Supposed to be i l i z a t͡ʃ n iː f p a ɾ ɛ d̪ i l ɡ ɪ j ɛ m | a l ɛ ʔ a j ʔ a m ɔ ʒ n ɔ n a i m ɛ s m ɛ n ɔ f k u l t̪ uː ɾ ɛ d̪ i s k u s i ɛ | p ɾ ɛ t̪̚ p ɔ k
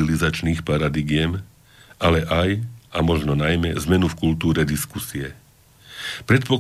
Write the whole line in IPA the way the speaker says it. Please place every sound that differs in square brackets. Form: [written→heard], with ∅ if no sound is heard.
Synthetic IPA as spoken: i l i z a t͡ʃ n iː [f→x] p a ɾ [ɛ→a] d̪ i [l→∅] ɡ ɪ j ɛ m | a l ɛ ʔ a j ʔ a m ɔ ʒ n ɔ n a [i→j] m ɛ [s→z] m ɛ n [ɔ→u] f k u l t̪ uː ɾ ɛ d̪ i s k u s i ɛ | p ɾ ɛ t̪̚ p ɔ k